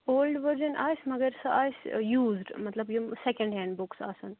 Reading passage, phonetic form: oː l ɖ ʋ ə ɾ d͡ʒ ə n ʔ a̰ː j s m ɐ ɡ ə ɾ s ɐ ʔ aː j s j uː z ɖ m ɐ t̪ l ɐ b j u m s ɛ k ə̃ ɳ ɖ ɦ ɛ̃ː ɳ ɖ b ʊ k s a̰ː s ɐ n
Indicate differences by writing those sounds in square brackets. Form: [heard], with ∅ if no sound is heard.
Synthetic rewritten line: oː l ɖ ʋ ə ɾ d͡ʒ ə n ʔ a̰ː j s m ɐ ɡ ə ɾ s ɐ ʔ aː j s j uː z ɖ m ɐ t̪ l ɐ b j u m s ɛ k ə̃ ɳ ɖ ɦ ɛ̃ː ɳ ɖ b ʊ k s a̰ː s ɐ n